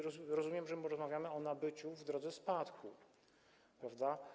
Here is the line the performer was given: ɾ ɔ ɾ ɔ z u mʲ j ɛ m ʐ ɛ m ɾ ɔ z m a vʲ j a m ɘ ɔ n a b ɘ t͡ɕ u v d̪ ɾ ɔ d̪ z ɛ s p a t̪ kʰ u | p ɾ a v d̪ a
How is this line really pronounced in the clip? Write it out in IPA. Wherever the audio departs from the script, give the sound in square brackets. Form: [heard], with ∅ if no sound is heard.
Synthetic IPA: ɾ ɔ ɾ ɔ z u mʲ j ɛ m ʐ ɛ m ɾ ɔ z m a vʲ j a m ɘ ɔ n a b ɘ t͡ɕ u v d̪ ɾ ɔ d̪ z ɛ s p a t̪ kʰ u | p ɾ a v d̪ a